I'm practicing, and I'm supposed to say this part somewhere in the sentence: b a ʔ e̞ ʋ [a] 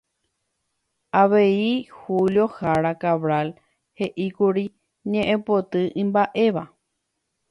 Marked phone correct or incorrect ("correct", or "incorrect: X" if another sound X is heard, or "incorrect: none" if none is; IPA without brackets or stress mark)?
correct